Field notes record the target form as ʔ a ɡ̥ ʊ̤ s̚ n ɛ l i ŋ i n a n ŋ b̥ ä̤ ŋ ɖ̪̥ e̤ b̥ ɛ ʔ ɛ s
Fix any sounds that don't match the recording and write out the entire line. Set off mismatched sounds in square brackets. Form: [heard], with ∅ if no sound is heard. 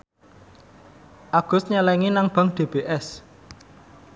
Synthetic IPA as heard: ʔ a ɡ̥ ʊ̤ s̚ [ɲ] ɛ l [ɛ] ŋ i n a [∅] ŋ b̥ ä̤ ŋ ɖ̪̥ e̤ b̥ [e] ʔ ɛ s